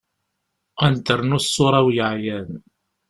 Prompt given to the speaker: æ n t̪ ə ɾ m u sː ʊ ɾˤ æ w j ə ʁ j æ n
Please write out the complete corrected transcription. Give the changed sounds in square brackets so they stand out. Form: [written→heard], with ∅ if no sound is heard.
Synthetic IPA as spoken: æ n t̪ ə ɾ [m→n] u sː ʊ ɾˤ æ w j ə [ʁ→ʕ] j æ n